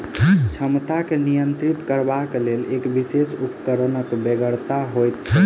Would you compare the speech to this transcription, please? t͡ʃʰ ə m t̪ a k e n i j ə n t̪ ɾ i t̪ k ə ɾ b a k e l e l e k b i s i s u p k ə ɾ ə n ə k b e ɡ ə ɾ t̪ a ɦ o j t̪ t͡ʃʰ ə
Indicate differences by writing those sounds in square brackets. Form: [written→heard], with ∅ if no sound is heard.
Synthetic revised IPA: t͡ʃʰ ə m t̪ a k e n i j ə n t̪ ɾ i t̪ k ə ɾ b a k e l e l e k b i s [i→e] s u p k ə ɾ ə n ə k b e ɡ ə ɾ t̪ a ɦ o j t̪ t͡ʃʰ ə